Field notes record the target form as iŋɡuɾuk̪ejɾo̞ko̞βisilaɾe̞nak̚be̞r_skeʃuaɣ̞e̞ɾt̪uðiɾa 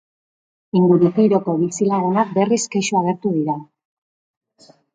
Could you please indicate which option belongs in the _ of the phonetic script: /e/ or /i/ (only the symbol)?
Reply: i